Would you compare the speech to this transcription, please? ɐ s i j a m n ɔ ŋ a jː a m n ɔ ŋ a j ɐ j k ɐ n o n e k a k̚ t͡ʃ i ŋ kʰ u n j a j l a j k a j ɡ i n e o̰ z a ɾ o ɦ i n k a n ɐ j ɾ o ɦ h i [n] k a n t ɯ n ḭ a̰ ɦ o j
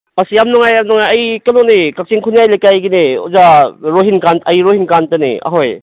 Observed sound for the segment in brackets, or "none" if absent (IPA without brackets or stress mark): n